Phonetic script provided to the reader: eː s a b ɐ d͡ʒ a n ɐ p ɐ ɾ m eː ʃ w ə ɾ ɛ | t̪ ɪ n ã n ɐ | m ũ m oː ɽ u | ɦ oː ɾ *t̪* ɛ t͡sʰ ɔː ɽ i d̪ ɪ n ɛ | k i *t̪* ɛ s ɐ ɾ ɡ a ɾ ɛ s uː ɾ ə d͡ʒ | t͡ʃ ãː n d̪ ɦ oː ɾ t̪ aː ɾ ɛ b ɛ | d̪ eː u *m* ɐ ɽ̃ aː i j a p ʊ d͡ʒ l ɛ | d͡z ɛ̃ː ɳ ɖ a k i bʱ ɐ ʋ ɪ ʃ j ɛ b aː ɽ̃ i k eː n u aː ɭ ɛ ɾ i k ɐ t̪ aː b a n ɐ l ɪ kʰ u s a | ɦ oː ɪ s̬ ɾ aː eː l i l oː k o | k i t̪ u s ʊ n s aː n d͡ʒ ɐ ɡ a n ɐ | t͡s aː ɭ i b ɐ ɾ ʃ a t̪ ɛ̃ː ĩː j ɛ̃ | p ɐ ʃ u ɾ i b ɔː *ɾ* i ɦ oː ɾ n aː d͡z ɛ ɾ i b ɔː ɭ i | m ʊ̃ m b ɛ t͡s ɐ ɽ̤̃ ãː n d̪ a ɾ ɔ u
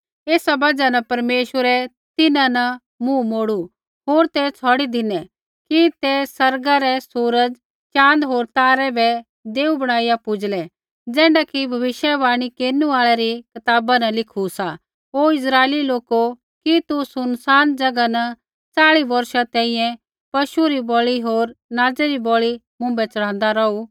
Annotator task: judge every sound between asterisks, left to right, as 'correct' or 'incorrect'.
correct, correct, incorrect, incorrect

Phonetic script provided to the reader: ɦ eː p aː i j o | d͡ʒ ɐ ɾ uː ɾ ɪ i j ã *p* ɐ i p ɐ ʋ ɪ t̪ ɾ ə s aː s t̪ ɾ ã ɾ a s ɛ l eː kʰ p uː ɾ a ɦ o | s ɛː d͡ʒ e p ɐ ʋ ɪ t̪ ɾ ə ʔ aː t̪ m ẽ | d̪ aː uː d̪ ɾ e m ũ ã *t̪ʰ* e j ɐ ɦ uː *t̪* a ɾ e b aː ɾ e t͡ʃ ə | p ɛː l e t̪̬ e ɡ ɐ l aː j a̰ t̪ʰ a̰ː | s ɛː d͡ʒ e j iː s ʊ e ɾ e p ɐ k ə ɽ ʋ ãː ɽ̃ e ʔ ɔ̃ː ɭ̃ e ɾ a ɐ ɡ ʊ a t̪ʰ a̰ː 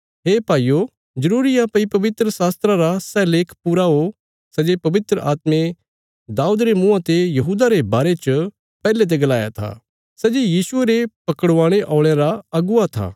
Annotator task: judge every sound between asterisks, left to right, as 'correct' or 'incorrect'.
correct, incorrect, incorrect

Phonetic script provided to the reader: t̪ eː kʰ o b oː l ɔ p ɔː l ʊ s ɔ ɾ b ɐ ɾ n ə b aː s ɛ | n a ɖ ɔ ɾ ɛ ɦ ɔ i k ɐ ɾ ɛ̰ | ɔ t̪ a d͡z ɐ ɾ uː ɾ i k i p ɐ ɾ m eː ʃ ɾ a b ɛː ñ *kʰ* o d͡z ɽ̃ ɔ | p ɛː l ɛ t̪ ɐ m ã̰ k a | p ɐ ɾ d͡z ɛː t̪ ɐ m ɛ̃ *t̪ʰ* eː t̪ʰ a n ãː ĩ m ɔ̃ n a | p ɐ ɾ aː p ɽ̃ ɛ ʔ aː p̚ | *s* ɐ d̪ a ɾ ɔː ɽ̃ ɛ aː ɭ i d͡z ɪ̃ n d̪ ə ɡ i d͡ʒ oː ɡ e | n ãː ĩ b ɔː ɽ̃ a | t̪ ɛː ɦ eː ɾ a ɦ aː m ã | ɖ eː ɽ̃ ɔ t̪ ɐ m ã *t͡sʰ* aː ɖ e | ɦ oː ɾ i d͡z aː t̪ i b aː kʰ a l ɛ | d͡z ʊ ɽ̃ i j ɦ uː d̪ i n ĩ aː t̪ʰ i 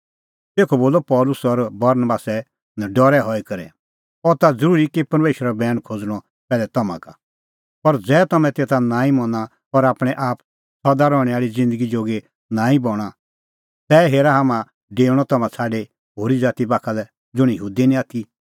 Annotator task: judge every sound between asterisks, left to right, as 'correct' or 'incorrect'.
correct, incorrect, correct, correct

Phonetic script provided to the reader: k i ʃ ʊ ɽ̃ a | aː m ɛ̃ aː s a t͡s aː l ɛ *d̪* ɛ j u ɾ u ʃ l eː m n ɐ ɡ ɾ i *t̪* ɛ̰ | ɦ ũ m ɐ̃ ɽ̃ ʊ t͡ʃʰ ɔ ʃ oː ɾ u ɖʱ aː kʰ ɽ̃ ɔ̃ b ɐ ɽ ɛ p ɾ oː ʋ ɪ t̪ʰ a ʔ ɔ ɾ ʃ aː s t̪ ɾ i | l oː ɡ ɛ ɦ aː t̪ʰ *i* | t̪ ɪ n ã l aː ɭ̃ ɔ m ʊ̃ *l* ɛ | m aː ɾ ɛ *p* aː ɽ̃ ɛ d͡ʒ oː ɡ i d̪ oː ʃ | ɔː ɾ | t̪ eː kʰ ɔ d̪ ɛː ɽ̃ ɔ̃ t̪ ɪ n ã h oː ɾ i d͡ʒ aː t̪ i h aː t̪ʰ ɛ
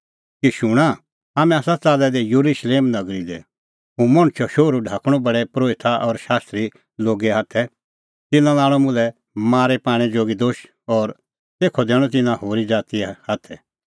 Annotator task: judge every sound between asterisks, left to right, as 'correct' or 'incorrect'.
correct, incorrect, incorrect, correct, correct

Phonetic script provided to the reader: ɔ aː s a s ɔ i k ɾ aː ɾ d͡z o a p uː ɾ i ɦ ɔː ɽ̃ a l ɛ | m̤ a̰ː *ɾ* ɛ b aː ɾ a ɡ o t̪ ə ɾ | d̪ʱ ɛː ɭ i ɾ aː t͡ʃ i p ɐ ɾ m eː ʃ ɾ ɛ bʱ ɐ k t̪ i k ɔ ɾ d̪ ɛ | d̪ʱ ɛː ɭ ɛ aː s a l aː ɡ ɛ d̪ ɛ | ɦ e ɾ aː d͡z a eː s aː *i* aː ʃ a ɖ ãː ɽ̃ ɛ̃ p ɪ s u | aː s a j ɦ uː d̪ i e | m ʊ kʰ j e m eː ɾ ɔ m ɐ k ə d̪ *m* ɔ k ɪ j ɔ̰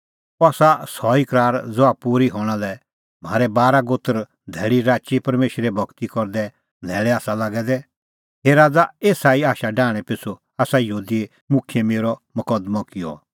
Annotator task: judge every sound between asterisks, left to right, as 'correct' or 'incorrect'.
correct, correct, correct

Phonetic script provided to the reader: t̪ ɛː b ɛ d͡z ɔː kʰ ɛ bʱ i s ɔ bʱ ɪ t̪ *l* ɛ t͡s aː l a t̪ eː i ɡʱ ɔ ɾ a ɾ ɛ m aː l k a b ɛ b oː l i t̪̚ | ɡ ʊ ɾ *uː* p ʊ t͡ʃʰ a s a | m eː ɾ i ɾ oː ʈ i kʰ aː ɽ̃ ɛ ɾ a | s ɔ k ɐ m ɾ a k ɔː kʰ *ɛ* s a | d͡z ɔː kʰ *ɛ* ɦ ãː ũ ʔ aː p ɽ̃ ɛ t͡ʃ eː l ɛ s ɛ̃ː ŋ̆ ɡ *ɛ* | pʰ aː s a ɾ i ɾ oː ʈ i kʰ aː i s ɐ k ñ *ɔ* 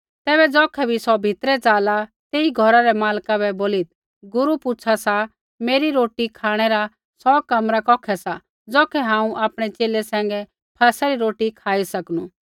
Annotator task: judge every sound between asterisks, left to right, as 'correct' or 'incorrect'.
incorrect, incorrect, correct, correct, correct, incorrect

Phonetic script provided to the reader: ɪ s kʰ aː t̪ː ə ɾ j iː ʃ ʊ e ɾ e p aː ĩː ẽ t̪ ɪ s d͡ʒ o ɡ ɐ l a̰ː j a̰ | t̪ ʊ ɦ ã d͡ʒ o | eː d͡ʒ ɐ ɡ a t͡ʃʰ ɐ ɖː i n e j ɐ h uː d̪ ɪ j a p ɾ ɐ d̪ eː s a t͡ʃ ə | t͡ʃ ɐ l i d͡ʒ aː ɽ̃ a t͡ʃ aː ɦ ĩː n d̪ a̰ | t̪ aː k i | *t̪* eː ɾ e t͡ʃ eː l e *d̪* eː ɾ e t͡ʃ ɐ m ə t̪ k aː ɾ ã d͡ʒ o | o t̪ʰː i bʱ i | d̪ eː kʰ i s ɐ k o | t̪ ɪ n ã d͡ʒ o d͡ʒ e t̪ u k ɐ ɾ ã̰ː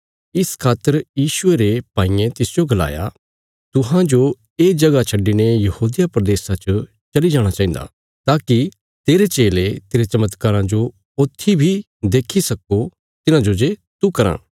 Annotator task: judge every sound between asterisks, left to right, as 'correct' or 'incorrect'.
correct, incorrect

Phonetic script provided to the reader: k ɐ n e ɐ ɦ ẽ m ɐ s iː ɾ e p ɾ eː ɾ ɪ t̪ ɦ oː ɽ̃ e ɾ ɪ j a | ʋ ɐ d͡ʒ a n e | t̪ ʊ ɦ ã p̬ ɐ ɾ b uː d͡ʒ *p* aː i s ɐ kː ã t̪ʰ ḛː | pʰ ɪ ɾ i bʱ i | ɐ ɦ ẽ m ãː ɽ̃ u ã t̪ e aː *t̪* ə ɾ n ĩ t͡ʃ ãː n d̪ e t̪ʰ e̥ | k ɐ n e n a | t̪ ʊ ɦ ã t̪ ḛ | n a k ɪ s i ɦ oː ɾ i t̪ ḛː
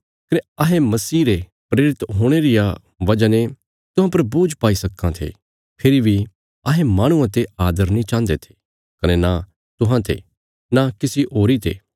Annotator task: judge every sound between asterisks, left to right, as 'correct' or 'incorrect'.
correct, incorrect

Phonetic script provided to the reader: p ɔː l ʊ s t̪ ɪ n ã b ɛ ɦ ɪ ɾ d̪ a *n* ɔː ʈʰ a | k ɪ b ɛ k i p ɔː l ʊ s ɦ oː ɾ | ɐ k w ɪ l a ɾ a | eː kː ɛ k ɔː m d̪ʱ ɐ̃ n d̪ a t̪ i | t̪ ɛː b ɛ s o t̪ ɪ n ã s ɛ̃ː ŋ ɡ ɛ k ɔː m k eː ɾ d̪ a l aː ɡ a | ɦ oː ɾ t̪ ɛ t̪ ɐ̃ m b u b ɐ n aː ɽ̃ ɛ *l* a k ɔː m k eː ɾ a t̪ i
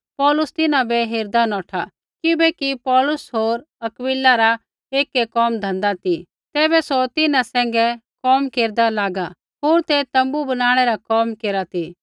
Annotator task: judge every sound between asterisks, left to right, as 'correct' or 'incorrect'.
correct, incorrect

